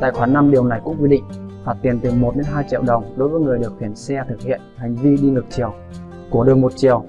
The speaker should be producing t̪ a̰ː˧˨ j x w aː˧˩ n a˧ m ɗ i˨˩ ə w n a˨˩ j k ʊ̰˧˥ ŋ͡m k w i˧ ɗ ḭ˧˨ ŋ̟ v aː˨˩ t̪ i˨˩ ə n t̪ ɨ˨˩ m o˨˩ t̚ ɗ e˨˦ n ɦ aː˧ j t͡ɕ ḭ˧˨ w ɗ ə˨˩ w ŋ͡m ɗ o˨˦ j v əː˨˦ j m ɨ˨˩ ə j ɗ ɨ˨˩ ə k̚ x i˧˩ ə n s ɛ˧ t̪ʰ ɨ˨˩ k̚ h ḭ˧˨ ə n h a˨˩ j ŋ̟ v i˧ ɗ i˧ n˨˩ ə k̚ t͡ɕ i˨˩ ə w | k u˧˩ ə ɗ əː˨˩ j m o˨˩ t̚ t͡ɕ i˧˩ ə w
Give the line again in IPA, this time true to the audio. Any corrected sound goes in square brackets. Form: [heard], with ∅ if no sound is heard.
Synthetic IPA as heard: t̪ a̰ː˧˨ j x w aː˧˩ n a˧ m ɗ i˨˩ ə w n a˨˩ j k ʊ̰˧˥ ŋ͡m k w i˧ ɗ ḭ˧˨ ŋ̟ v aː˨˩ t̪ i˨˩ ə n t̪ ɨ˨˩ m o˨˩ t̚ ɗ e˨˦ n ɦ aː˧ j t͡ɕ ḭ˧˨ w ɗ ə˨˩ w ŋ͡m ɗ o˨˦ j v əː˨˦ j [ŋ] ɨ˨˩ ə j ɗ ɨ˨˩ ə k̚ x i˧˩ ə n s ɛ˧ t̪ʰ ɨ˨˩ k̚ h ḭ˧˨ ə n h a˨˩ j ŋ̟ v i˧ ɗ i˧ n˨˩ ə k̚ t͡ɕ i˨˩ ə w | k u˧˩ ə ɗ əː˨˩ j m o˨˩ t̚ t͡ɕ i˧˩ ə w